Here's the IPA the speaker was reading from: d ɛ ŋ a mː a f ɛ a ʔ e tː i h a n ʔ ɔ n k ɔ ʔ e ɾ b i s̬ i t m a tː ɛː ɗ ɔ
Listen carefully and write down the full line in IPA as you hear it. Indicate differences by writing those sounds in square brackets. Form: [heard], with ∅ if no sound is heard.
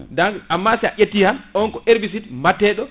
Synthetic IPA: d [a] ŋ a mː a [s] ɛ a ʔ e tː i h a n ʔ ɔ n k ɔ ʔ e ɾ b i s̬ i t m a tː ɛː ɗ ɔ

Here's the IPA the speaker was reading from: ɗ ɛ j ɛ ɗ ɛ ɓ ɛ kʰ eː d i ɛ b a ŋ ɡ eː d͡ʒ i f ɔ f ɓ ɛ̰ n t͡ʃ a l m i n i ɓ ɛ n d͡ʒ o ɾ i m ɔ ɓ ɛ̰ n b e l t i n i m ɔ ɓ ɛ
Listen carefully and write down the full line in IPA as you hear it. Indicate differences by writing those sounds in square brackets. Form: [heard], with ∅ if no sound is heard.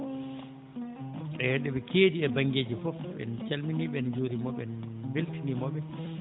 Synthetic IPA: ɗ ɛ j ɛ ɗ ɛ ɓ ɛ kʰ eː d i ɛ b a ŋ ɡ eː d͡ʒ i f ɔ f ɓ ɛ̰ n t͡ʃ a l m i n i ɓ ɛ n d͡ʒ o ɾ i m ɔ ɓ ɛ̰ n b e l t i n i m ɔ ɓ ɛ

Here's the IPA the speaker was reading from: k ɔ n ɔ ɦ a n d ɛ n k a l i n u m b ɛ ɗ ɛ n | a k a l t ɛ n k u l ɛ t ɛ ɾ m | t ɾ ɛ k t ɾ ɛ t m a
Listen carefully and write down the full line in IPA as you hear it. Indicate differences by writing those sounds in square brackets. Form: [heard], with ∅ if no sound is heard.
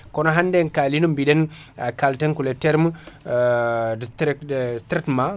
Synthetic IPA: k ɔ n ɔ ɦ a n d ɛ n k a l i n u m b [i] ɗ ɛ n | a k a l t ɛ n k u l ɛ t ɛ ɾ m | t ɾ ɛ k t ɾ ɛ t m a

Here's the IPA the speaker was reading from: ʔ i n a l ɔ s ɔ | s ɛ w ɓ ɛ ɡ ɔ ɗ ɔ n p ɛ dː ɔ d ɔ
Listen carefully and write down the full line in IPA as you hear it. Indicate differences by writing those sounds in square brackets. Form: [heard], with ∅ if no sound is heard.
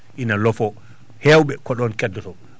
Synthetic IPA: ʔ i n a l ɔ [f] ɔ | [h] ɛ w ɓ ɛ [k] ɔ ɗ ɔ n [k] ɛ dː ɔ [t] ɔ

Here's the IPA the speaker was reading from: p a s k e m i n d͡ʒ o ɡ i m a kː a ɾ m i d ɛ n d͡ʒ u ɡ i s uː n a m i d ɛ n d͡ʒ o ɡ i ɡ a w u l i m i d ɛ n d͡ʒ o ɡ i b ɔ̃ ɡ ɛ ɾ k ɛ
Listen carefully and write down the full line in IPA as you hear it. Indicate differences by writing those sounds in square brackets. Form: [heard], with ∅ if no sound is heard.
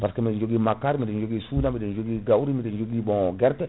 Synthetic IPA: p a s k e m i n d͡ʒ o ɡ i m a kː a ɾ m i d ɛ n d͡ʒ [o] ɡ i s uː n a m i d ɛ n d͡ʒ o ɡ i ɡ a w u [ɾ] i m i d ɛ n d͡ʒ o ɡ i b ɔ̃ ɡ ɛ ɾ [t] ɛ

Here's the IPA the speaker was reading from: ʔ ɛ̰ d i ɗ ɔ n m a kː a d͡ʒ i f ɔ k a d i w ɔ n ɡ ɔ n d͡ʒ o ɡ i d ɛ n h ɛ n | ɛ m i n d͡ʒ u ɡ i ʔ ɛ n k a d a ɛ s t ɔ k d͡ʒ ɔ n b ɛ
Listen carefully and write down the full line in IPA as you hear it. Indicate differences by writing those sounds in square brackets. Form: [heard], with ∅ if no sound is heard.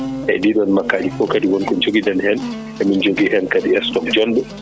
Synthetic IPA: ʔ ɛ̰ d i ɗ ɔ n m a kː a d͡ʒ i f ɔ k a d i w ɔ n [k] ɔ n d͡ʒ o ɡ i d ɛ n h ɛ n | ɛ m i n d͡ʒ [o] ɡ i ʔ ɛ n k a d [i] ɛ s t ɔ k d͡ʒ ɔ n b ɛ

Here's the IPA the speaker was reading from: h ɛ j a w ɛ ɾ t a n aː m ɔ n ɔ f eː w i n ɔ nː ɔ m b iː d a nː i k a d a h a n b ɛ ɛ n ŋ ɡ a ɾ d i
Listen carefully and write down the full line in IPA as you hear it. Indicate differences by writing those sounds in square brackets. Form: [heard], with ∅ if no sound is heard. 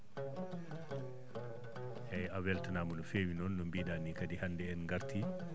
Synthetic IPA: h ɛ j a w ɛ [l] t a n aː m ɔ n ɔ f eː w i n ɔ nː ɔ m b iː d a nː i k a d [i] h a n [d] ɛ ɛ n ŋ ɡ a ɾ [t] i

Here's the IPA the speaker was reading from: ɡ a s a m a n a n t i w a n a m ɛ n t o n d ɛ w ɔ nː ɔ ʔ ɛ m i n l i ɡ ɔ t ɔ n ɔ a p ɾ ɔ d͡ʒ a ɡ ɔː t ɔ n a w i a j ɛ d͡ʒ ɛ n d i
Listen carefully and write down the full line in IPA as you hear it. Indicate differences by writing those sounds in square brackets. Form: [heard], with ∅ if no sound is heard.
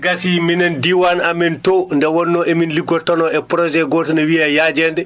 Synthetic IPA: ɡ a s [i] m [i] n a n [d] i w a n a m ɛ n t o n d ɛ w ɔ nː ɔ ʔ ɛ m i n l i ɡ ɔ t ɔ n ɔ [ɛ] p ɾ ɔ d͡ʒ [ɛ] ɡ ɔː t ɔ n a w i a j [a] d͡ʒ ɛ n d [ɛ]

